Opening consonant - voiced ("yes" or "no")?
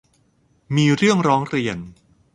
yes